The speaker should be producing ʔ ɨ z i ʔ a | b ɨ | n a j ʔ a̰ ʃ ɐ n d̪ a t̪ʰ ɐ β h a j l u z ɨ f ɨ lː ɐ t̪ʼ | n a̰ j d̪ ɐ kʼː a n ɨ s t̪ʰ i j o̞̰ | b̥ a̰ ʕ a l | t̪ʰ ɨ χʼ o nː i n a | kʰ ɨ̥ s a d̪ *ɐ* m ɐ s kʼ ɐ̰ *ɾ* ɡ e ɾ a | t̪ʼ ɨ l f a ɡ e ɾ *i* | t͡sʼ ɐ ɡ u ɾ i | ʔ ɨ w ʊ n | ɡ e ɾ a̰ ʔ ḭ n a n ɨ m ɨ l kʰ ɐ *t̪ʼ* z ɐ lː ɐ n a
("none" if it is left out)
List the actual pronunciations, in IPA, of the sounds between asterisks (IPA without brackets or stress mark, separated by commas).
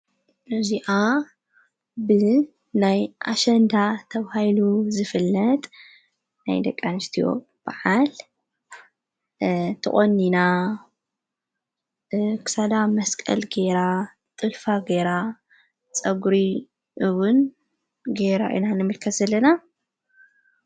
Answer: a, l, a, t̪